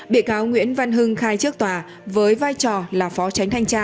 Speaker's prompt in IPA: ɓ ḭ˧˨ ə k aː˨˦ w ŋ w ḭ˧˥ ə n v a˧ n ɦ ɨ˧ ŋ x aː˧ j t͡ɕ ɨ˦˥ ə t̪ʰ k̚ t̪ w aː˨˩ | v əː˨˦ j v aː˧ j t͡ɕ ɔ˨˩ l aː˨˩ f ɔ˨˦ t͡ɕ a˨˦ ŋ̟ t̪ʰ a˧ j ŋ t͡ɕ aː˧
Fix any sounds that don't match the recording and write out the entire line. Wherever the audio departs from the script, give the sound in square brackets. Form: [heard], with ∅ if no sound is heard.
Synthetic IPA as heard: ɓ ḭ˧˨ ə k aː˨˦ w ŋ w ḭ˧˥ ə n v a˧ n ɦ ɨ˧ ŋ x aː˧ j t͡ɕ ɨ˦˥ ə [∅] k̚ t̪ w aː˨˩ | v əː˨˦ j v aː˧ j t͡ɕ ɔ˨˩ l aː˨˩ f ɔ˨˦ t͡ɕ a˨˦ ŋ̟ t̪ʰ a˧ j ŋ t͡ɕ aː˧